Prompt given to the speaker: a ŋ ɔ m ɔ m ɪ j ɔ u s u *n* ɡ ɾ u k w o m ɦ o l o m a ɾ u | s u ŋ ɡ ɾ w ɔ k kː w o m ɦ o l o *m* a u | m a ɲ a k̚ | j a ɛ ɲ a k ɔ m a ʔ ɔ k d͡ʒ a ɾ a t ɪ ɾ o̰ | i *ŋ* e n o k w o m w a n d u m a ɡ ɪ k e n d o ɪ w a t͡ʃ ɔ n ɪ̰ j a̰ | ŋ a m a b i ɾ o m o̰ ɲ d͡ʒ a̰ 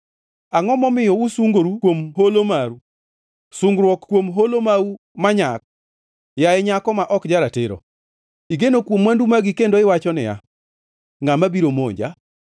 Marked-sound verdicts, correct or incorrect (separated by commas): incorrect, correct, incorrect